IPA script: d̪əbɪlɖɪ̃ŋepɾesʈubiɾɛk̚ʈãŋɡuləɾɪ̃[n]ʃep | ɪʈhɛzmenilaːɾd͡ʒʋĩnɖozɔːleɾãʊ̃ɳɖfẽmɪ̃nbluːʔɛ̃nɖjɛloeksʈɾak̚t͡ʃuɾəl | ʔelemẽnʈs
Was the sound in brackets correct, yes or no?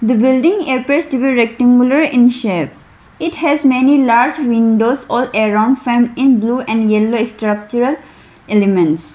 yes